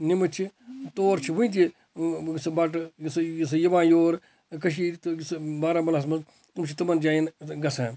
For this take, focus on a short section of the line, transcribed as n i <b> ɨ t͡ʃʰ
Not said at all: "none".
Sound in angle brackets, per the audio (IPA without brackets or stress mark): m